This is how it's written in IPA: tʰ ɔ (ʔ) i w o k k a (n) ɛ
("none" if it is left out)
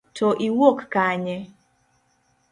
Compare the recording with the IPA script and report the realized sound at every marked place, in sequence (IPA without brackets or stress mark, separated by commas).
ʔ, ɲ